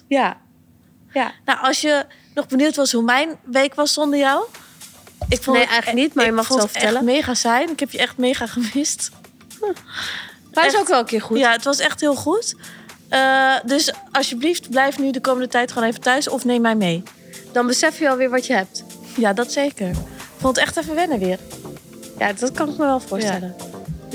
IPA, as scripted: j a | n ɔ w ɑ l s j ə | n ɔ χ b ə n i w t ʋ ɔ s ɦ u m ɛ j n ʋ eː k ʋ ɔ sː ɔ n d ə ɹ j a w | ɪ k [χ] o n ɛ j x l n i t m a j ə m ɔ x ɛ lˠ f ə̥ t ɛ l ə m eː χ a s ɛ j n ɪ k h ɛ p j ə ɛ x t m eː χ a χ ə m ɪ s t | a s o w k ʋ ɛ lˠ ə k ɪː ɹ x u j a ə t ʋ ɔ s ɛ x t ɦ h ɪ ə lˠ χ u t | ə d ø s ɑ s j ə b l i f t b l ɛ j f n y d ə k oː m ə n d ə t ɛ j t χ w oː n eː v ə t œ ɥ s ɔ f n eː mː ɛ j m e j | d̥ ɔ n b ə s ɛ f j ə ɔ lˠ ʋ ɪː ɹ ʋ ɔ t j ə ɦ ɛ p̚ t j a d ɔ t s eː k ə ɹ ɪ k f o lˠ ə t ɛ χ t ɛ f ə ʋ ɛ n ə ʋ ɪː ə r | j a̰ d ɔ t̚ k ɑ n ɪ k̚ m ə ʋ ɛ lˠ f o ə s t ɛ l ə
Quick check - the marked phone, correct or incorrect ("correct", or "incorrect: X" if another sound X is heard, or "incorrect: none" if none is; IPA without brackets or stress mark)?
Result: incorrect: f